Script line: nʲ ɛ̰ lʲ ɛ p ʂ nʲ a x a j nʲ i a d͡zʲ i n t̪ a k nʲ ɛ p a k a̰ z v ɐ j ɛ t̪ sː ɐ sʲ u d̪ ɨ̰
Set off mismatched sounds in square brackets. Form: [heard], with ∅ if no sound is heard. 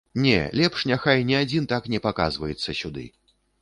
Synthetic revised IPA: nʲ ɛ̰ lʲ ɛ p ʂ nʲ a x a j nʲ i a d͡zʲ i n t̪ a k nʲ ɛ p a k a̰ z v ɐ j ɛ t̪ sː ɐ sʲ u d̪ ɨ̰